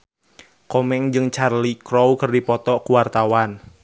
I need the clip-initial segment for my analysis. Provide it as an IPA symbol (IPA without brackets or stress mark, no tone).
k